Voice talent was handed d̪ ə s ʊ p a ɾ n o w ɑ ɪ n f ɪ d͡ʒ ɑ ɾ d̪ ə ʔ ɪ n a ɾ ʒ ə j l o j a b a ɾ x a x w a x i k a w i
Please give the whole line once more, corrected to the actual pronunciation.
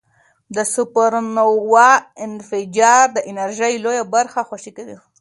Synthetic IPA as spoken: d̪ ə s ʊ p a ɾ n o w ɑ ɪ n f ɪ d͡ʒ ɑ ɾ d̪ ə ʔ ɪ n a ɾ ʒ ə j l o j a b a ɾ x a x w a ʃ i k a w i